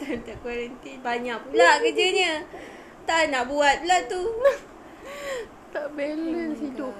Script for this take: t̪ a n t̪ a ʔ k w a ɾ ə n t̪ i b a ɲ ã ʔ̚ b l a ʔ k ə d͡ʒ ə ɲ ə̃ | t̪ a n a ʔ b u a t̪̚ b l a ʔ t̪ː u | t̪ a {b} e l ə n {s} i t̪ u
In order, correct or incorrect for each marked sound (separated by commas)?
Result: correct, correct